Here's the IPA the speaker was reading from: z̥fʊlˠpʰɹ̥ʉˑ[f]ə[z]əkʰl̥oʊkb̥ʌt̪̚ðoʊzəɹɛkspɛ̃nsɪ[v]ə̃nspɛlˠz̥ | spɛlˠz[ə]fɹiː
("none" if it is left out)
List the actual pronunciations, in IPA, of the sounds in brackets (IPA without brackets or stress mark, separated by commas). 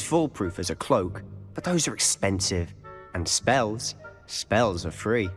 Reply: f, z, v, ə